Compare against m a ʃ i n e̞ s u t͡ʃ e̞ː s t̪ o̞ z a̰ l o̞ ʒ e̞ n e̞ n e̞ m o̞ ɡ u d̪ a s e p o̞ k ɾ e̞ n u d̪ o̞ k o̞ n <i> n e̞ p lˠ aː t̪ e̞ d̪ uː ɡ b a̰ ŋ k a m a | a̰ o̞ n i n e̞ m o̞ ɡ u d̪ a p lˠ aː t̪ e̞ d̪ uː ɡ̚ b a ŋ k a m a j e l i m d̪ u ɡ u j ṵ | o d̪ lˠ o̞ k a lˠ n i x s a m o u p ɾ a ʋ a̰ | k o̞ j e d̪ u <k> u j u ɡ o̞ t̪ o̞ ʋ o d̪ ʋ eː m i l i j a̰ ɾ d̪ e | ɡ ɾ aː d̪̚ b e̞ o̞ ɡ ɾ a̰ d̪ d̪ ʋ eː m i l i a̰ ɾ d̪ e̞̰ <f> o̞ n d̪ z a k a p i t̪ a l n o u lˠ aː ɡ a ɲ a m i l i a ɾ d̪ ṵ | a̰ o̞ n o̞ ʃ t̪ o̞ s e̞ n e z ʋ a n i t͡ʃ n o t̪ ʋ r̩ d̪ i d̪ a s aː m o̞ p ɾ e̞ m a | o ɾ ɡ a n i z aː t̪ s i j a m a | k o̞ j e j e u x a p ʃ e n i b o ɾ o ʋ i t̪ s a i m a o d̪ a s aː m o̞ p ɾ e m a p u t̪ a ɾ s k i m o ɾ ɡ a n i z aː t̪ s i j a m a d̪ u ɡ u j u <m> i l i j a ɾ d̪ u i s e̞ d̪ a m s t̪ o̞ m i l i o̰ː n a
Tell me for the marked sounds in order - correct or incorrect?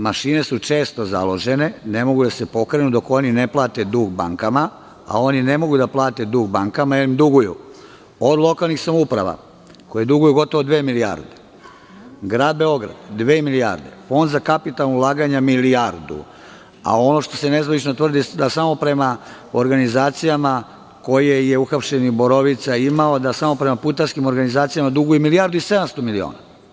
correct, incorrect: ɡ, correct, correct

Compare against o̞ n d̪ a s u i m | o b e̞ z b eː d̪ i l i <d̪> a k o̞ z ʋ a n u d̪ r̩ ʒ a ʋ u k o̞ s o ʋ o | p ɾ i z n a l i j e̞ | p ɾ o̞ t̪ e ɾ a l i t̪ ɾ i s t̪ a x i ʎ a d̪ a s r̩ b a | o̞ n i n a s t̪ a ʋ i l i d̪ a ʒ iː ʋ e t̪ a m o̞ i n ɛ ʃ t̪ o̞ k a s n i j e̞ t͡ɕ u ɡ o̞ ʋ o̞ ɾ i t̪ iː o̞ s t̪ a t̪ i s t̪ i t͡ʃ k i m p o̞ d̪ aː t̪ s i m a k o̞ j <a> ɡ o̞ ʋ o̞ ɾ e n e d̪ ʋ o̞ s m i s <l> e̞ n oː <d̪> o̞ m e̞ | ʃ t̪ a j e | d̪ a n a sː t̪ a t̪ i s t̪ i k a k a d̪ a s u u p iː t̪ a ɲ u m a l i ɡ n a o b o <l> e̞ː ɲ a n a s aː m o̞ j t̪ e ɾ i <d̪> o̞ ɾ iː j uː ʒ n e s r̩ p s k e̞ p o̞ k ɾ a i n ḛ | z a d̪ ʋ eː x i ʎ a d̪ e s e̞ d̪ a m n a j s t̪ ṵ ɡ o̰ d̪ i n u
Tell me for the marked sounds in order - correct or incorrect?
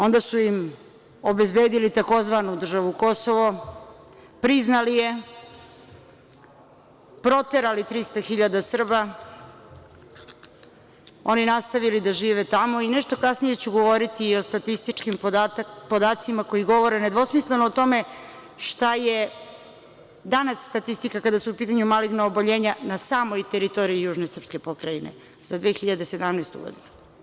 incorrect: t̪, incorrect: i, correct, incorrect: t̪, incorrect: ʎ, incorrect: t̪

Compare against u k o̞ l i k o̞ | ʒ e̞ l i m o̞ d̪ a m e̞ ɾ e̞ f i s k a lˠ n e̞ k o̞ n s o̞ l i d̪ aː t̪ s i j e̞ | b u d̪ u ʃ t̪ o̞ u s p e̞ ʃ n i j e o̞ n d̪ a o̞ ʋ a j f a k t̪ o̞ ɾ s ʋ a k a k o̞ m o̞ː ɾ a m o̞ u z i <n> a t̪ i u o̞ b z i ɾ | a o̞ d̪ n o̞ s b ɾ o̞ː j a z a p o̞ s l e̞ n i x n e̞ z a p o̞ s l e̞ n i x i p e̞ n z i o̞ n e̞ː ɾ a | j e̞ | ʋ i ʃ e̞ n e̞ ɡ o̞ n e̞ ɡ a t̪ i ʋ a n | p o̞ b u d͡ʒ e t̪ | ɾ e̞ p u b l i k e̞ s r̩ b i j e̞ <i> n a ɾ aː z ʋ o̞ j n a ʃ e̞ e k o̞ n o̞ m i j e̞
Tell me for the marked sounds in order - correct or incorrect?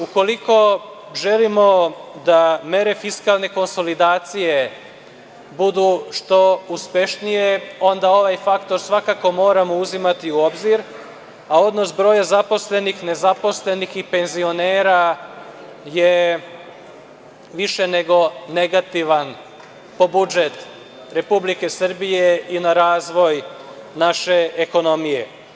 incorrect: m, correct

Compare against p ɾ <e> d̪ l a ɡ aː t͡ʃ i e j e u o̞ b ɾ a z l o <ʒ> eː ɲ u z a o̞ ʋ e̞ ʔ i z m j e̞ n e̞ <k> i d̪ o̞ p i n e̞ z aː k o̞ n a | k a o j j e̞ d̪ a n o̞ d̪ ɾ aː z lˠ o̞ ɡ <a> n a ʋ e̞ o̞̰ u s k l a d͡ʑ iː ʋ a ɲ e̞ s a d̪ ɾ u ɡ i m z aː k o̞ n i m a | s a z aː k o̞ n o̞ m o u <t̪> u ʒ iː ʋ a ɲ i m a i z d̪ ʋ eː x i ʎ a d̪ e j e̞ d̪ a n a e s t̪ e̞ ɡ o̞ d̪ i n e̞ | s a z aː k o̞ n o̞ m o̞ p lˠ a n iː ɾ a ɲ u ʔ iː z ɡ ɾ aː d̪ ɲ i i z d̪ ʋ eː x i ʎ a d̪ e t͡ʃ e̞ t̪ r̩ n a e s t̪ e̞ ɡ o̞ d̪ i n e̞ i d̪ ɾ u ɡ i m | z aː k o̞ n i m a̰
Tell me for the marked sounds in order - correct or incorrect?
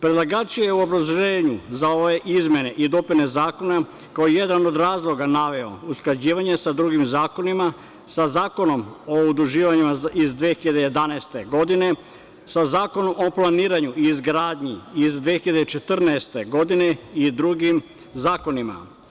correct, correct, incorrect: ʔ, correct, incorrect: d̪

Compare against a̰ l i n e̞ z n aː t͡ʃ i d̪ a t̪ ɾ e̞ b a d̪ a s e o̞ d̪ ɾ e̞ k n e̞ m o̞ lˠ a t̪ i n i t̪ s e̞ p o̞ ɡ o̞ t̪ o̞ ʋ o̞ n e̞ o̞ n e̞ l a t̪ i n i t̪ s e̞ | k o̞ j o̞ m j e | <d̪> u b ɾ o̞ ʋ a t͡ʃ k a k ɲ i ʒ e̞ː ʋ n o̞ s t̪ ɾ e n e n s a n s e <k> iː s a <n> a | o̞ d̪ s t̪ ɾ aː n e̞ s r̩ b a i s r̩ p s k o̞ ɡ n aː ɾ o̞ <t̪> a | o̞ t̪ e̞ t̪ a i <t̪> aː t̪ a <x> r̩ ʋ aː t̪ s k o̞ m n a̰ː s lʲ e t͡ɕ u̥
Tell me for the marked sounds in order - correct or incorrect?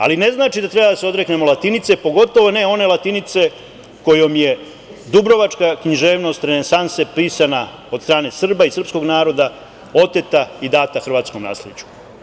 correct, incorrect: p, correct, incorrect: d̪, incorrect: d̪, correct

